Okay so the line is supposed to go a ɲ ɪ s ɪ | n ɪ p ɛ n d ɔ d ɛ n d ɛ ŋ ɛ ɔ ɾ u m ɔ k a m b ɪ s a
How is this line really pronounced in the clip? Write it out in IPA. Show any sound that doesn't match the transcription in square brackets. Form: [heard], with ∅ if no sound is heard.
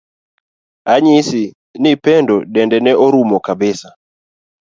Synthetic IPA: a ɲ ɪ s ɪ | n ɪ p ɛ n d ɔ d ɛ n d ɛ [n] ɛ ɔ ɾ u m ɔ k a [∅] b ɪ s a